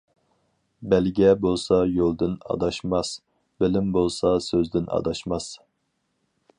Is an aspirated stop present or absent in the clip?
absent